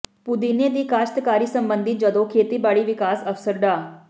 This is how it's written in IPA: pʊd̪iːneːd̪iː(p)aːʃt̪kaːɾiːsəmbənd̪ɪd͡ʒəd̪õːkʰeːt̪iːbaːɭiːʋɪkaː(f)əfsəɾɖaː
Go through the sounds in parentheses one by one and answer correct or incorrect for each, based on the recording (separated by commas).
incorrect, incorrect